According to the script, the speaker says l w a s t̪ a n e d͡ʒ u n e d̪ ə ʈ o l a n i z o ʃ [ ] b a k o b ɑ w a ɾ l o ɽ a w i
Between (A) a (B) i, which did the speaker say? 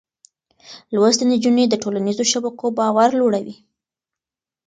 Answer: A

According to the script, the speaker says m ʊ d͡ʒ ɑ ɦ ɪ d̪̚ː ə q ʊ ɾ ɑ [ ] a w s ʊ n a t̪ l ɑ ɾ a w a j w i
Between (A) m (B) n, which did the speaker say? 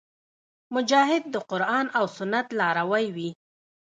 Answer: B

